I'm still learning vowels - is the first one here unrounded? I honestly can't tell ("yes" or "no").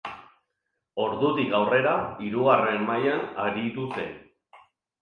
no